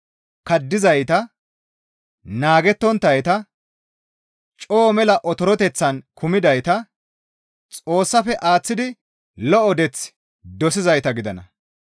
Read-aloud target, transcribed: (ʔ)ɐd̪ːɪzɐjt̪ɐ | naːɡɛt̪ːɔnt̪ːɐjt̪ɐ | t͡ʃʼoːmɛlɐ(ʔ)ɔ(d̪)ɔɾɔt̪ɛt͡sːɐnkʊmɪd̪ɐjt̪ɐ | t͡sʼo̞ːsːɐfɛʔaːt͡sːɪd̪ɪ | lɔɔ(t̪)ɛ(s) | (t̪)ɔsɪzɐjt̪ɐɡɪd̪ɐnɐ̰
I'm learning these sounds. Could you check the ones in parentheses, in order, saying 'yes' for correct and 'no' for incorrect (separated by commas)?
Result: no, yes, no, no, no, no